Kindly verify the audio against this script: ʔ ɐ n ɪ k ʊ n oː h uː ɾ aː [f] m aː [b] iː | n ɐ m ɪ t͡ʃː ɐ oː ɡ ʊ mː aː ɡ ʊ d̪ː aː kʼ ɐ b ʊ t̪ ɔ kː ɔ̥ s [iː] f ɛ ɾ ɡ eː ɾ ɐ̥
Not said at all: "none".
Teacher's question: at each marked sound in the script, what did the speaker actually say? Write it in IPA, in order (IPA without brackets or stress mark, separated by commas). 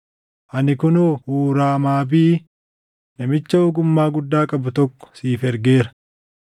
none, b, iː